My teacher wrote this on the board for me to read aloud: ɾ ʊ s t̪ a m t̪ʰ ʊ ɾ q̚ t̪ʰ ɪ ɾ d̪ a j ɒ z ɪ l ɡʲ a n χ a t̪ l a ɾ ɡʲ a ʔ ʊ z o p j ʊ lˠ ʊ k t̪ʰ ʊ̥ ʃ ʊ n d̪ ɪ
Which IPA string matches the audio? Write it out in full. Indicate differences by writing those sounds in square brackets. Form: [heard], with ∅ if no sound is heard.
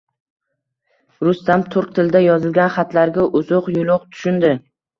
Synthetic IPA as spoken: ɾ ʊ s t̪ a m t̪ʰ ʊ ɾ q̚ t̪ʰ ɪ [l] d̪ a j ɒ z ɪ l ɡʲ a n χ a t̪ l a ɾ ɡʲ a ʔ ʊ z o [q] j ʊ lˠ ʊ [q] t̪ʰ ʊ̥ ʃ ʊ n d̪ ɪ